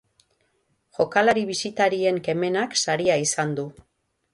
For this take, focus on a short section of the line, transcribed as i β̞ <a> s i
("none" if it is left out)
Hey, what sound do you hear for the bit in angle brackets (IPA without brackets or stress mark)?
i